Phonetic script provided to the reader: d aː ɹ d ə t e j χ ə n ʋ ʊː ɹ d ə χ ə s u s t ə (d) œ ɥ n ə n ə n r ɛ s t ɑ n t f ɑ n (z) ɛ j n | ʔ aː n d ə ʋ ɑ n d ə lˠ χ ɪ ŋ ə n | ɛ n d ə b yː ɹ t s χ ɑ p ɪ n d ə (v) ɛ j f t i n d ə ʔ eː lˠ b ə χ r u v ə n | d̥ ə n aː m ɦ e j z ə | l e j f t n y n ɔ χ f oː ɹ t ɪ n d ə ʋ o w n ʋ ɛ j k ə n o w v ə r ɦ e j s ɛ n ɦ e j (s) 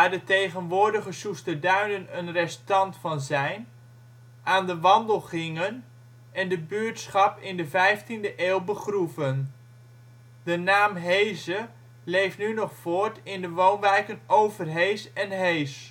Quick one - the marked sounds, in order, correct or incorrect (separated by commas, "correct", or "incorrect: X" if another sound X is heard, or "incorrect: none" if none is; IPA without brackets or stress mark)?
correct, correct, correct, correct